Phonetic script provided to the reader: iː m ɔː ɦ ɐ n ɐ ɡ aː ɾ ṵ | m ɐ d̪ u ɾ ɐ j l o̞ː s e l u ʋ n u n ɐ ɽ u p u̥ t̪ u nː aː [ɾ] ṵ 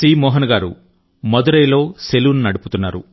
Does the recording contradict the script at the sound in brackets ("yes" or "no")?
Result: no